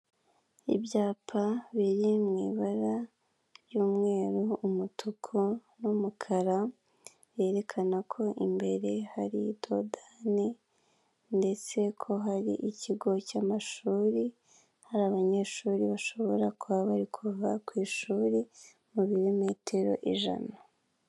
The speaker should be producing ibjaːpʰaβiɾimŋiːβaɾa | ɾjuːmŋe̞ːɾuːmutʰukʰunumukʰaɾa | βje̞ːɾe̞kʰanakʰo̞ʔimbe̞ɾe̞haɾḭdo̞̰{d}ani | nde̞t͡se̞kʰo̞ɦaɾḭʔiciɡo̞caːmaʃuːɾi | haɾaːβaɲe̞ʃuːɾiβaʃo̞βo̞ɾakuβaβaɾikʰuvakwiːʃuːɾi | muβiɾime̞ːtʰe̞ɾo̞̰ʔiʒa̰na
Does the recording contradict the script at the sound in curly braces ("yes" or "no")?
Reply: no